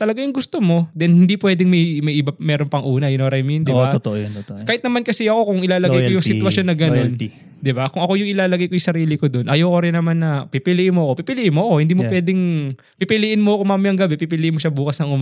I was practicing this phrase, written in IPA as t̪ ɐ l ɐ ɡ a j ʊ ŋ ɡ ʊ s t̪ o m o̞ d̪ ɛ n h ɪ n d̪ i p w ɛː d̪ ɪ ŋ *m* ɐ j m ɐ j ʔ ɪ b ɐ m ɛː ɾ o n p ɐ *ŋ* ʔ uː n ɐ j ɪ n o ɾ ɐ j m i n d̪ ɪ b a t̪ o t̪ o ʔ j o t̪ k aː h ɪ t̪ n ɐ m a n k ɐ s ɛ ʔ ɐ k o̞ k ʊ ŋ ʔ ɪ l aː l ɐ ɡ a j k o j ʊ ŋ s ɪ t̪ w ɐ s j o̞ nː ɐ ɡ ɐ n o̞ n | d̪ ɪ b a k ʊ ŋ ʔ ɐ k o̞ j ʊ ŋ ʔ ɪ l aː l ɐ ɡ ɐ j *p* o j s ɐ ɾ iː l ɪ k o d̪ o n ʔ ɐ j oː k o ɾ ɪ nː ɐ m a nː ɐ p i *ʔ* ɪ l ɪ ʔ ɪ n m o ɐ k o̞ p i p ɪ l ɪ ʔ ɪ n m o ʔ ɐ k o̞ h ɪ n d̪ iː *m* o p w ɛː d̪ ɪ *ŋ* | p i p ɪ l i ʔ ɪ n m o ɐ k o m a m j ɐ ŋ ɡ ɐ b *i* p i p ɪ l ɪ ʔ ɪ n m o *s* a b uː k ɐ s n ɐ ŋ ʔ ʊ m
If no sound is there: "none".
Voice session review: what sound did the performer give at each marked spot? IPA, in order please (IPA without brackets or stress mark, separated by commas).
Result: m, ŋ, k, p, m, ŋ, ɛ, ʃ